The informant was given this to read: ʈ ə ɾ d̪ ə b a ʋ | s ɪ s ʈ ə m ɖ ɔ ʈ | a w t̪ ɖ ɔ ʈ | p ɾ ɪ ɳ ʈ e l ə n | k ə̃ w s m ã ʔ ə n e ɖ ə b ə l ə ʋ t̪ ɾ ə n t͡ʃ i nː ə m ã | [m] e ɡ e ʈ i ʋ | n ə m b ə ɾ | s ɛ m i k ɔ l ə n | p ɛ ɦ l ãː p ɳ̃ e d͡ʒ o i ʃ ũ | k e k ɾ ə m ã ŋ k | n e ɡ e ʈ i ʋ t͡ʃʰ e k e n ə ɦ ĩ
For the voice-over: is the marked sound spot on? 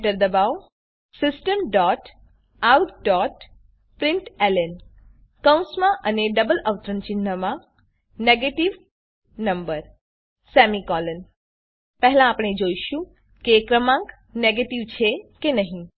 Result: no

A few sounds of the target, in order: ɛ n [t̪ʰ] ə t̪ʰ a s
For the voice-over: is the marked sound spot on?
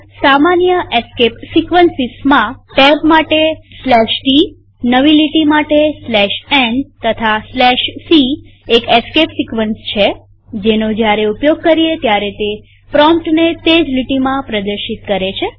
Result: no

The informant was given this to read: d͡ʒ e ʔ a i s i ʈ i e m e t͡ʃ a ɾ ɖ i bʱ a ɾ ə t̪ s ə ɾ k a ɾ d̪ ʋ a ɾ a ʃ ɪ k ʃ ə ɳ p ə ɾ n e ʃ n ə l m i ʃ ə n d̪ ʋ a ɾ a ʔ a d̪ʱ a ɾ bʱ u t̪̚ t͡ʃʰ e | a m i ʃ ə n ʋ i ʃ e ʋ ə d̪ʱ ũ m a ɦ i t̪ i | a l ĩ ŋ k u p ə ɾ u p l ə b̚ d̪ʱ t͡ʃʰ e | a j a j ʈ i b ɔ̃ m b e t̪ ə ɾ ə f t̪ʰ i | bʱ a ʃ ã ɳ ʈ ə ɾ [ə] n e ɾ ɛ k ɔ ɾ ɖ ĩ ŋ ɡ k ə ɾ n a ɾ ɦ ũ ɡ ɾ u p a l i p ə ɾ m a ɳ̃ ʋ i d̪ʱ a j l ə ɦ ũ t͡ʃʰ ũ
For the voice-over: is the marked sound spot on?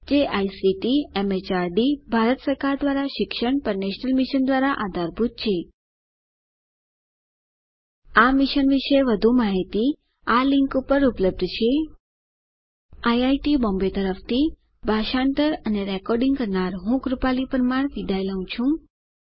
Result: yes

